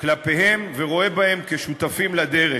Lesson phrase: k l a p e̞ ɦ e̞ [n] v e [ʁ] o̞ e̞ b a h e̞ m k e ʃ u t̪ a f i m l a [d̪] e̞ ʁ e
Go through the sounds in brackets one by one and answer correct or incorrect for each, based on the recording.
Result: incorrect, correct, correct

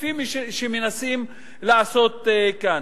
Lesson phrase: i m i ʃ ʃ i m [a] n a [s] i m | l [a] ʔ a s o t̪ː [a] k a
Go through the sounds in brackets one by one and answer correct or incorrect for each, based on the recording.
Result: incorrect, correct, correct, incorrect

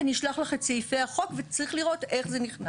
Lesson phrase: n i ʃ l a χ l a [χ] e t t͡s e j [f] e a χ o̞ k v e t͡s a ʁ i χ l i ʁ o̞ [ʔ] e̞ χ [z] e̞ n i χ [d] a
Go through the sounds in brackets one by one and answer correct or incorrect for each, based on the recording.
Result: correct, correct, incorrect, correct, incorrect

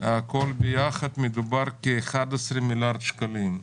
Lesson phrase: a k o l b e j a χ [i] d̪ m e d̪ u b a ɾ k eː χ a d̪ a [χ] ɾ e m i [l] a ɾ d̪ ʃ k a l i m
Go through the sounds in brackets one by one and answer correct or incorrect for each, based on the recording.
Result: incorrect, incorrect, correct

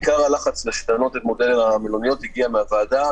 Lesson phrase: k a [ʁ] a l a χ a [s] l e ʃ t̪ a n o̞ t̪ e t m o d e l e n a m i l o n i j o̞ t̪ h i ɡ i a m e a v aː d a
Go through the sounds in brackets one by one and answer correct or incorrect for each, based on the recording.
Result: correct, incorrect

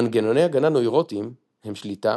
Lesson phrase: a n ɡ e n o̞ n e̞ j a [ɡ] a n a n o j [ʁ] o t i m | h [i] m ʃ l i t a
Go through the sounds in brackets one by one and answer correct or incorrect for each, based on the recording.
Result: correct, correct, incorrect

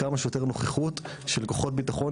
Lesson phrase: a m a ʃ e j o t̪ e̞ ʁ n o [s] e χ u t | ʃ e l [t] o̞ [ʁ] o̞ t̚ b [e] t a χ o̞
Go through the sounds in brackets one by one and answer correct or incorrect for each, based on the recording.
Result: incorrect, incorrect, incorrect, incorrect

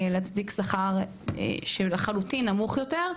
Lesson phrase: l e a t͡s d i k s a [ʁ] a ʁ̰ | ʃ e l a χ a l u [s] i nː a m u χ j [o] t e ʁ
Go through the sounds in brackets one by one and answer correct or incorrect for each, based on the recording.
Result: incorrect, incorrect, correct

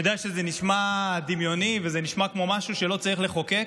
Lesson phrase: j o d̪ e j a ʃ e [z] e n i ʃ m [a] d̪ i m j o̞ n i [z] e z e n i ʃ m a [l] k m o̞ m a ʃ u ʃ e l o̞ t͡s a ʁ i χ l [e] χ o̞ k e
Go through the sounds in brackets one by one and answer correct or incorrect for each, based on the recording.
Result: correct, correct, incorrect, incorrect, correct

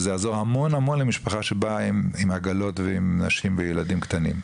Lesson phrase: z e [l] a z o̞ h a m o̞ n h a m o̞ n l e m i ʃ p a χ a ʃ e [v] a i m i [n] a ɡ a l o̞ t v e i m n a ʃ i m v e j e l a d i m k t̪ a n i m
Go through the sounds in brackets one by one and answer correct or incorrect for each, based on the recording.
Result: incorrect, incorrect, incorrect

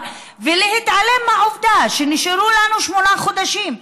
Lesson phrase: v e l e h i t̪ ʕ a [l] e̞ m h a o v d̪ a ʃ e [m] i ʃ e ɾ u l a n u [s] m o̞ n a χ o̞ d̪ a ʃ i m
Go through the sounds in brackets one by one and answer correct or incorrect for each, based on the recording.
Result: correct, incorrect, incorrect

